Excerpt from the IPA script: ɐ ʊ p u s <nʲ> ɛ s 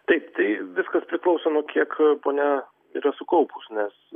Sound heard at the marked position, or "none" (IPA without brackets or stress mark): nʲ